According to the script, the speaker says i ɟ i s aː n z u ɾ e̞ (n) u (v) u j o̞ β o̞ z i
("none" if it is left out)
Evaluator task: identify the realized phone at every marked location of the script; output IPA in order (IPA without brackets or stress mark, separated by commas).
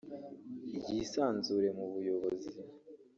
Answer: m, β